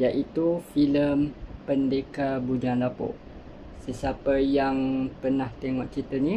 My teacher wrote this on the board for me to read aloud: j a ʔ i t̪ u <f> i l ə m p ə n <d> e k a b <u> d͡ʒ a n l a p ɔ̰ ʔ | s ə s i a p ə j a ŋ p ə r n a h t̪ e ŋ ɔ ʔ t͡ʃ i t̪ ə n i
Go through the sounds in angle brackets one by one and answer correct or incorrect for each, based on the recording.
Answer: correct, correct, correct

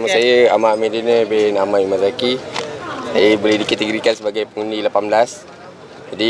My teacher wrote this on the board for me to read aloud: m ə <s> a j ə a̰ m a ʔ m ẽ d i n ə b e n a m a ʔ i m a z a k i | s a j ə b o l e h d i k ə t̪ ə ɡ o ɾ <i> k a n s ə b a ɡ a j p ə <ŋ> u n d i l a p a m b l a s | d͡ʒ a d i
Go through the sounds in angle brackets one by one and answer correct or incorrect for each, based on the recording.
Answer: correct, correct, correct

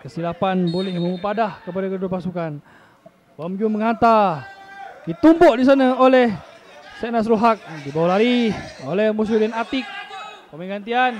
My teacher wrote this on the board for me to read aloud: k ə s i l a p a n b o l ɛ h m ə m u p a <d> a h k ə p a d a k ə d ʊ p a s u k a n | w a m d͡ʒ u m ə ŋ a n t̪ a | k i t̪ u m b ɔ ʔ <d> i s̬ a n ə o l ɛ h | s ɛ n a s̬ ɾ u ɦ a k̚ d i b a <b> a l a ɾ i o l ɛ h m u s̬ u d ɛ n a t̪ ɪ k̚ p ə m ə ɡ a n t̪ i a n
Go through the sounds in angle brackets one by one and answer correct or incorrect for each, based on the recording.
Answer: correct, correct, incorrect: w

